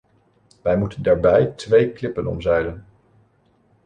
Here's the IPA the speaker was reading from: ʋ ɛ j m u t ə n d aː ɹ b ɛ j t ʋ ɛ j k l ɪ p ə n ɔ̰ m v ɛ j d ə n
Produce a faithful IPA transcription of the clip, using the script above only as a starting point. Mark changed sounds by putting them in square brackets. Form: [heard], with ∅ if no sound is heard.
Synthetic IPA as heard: ʋ ɛ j m u t ə n d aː ɹ b ɛ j t ʋ [e] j k l ɪ p ə n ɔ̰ m [z] ɛ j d ə n